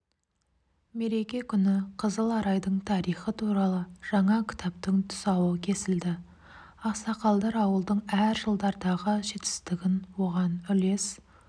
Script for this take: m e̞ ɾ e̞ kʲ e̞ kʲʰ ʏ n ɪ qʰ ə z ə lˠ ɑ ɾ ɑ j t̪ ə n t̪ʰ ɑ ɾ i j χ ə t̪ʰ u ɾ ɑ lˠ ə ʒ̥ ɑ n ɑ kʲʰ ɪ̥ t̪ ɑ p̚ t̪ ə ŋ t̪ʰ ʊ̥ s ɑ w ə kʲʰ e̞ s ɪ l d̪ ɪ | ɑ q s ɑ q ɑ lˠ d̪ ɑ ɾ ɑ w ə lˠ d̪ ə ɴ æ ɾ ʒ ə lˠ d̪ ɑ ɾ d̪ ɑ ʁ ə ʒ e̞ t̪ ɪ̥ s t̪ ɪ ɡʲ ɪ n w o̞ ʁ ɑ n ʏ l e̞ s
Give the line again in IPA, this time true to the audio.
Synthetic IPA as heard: m e̞ ɾ e̞ kʲ e̞ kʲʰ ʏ n ɪ qʰ ə z ə lˠ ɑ ɾ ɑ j d̪ ə ɴ t̪ʰ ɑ ɾ i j χ ə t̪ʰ u ɾ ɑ lˠ ə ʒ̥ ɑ ɴ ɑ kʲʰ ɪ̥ t̪ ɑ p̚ t̪ ə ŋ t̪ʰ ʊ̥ s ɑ w ə kʲʰ e̞ s ɪ l d̪ ɪ | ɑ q s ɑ q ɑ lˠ d̪ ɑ ɾ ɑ w ə lˠ d̪ ə ɴ æ ɾ ʒ ə lˠ d̪ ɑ ɾ d̪ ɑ ʁ ə ʒ e̞ t̪ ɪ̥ s t̪ ɪ ɡʲ ɪ n w o̞ ʁ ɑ n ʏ l e̞ s